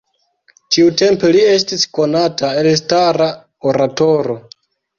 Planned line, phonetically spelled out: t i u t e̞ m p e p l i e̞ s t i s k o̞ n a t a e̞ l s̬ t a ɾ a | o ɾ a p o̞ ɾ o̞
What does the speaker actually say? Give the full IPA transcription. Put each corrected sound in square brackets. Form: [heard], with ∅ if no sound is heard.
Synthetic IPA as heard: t i u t e̞ m p e [∅] l i e̞ s t i s k o̞ n a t a e̞ l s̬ t a ɾ a | o ɾ a [t] o̞ ɾ o̞